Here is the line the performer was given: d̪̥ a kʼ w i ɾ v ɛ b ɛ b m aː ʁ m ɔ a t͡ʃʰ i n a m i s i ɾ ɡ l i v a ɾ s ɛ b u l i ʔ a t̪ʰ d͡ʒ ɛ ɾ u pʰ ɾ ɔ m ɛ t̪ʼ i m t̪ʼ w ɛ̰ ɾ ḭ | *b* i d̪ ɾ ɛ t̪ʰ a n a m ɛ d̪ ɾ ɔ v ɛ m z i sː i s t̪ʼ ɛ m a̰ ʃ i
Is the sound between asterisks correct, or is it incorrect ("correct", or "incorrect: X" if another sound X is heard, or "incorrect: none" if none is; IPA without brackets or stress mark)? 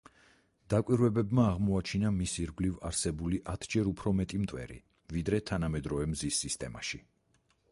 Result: incorrect: v